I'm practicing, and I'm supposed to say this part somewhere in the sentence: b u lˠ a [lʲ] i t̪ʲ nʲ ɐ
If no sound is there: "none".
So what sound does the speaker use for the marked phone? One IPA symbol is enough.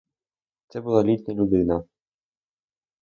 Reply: lʲ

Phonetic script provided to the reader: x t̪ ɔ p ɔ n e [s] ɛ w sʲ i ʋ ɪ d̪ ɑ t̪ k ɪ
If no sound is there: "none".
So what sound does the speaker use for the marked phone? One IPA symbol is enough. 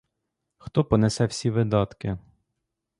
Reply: s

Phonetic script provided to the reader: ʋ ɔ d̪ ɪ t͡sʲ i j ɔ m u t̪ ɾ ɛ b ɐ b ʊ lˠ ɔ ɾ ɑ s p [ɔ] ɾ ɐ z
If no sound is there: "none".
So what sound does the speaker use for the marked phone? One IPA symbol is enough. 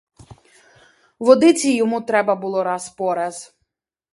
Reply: ɔ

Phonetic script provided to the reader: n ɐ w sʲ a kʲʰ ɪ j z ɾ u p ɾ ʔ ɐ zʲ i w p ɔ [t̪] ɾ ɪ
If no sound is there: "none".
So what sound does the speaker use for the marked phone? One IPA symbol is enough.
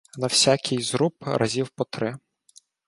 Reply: t̪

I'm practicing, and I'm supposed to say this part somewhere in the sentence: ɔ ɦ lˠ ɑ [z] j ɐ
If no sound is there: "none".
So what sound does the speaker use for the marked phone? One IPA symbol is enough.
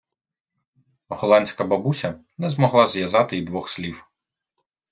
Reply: z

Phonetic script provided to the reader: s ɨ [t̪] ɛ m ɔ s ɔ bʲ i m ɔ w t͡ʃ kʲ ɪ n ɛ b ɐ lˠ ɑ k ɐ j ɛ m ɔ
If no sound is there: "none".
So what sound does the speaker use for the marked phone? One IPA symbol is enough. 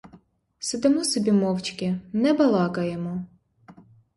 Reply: d̪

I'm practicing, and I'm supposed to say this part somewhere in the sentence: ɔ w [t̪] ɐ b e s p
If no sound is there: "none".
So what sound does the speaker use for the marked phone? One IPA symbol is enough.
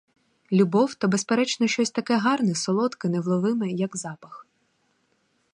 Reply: t̪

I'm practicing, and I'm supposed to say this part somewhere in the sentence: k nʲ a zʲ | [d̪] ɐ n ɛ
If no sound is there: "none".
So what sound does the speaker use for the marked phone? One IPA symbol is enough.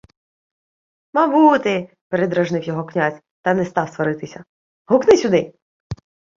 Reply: t̪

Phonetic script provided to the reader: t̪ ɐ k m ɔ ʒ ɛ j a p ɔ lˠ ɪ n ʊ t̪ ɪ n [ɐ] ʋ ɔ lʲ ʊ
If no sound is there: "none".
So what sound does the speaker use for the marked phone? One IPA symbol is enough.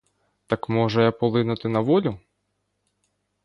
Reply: ɐ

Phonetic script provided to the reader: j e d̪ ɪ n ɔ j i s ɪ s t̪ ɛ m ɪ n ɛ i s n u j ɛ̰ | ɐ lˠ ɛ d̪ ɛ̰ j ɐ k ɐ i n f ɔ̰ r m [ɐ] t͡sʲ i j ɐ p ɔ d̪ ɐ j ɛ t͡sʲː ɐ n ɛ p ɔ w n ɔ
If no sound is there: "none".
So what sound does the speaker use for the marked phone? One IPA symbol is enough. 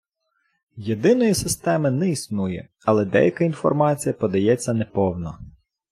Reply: ɑ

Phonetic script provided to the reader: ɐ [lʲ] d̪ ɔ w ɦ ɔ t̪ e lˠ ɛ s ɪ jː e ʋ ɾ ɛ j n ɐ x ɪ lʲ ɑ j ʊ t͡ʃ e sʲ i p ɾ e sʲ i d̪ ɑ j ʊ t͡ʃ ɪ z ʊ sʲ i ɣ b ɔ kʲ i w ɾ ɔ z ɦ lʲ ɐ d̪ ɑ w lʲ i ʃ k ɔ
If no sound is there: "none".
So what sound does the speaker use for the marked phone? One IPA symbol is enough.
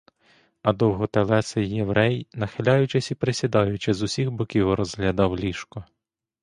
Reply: none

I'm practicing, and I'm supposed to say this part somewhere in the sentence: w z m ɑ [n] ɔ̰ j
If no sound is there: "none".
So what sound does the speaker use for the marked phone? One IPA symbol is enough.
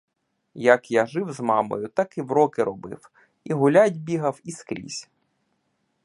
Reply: m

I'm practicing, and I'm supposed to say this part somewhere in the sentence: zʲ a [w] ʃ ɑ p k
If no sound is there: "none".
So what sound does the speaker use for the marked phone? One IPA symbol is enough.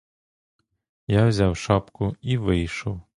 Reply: w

